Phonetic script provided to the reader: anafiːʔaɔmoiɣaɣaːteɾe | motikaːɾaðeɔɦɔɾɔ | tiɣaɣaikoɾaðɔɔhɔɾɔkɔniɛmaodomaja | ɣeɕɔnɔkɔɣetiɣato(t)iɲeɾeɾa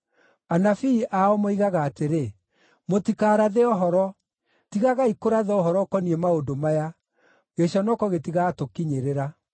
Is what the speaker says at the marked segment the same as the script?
no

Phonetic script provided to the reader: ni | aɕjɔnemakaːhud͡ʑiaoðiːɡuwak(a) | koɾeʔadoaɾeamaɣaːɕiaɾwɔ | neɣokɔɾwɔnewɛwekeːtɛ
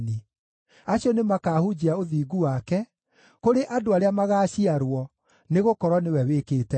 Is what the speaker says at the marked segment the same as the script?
no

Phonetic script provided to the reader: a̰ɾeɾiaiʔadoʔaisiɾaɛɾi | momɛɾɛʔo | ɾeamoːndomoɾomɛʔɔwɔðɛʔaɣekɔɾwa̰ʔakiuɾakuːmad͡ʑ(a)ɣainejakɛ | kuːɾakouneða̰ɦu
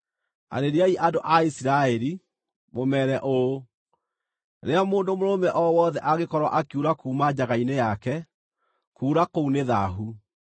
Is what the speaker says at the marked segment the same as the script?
yes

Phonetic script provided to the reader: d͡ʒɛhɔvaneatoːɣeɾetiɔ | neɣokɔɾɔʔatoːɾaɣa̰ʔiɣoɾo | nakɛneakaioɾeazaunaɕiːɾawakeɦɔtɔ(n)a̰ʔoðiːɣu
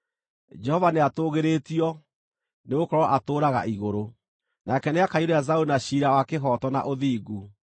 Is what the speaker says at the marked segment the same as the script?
yes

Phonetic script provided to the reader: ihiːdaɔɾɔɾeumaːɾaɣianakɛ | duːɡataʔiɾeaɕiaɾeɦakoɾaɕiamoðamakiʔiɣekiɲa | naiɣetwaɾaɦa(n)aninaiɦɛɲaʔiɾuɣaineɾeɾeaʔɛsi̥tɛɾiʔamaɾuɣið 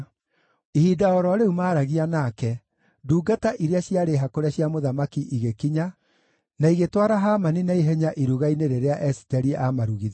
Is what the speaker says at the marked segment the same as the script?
no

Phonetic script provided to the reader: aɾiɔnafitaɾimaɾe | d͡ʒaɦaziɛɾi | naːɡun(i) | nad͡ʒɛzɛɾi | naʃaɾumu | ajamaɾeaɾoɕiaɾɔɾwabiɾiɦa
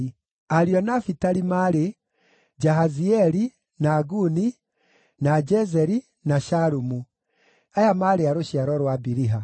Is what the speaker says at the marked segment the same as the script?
yes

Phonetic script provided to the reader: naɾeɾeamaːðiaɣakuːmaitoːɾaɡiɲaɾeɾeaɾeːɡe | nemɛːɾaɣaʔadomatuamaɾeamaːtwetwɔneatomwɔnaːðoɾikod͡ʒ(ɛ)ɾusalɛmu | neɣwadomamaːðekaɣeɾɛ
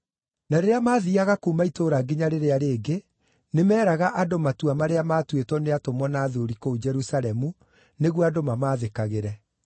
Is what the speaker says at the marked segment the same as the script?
yes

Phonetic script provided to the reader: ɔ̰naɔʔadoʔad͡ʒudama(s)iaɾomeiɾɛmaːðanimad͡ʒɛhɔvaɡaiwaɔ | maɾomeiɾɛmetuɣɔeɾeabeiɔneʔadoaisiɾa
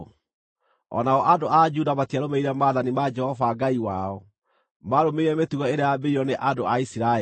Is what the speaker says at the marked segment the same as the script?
no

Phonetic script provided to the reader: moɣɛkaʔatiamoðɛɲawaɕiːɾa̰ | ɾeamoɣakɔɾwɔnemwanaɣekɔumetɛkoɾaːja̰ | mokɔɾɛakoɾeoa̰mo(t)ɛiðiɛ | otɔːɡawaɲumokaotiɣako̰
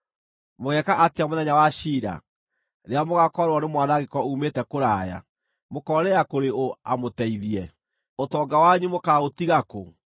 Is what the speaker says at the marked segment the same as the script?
yes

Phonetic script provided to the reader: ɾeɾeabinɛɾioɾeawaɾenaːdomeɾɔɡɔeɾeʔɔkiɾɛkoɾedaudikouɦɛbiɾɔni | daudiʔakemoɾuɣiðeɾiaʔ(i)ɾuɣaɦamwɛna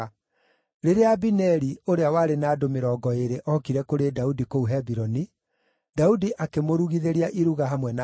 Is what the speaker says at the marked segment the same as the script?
yes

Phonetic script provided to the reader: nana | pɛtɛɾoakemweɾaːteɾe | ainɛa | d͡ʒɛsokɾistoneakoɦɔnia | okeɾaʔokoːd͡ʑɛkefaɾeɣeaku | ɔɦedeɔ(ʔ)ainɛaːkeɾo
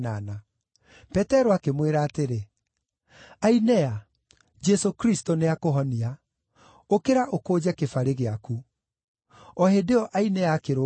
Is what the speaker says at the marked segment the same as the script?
yes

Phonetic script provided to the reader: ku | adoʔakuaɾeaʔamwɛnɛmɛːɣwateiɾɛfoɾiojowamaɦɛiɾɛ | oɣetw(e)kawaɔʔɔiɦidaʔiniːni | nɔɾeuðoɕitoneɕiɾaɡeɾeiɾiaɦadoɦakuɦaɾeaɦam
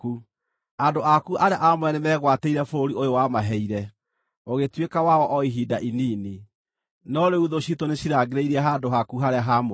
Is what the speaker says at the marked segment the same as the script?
yes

